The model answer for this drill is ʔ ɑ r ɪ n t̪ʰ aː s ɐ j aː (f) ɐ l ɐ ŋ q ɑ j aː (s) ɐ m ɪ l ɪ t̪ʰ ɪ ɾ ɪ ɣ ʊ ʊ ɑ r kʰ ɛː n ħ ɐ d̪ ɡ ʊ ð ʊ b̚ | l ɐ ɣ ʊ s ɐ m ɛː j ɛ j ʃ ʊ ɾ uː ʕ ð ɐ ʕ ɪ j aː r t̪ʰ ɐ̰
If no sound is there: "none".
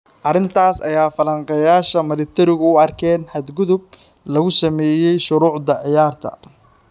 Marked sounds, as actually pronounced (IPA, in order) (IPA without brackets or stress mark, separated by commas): f, ʃ